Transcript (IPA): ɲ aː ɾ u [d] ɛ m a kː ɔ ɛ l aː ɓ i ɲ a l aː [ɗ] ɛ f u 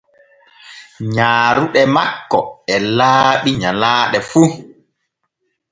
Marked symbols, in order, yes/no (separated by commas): no, yes